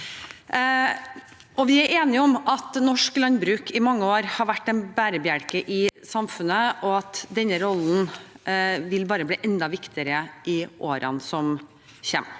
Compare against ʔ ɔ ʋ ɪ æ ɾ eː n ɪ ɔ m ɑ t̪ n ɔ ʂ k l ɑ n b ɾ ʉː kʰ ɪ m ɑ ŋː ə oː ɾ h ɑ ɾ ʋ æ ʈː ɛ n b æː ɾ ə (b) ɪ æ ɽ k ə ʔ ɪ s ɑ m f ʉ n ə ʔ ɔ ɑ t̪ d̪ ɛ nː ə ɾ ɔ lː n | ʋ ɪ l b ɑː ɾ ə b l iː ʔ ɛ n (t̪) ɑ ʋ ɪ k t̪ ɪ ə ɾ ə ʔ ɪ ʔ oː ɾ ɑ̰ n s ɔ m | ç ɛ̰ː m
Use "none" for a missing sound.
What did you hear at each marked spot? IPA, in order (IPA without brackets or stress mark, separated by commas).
b, d̪